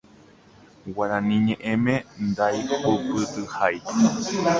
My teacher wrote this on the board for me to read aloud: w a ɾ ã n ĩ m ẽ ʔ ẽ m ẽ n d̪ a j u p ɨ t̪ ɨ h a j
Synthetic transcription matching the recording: w a ɾ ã n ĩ ɲ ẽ ʔ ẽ m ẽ n d̪ a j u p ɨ t̪ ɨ h a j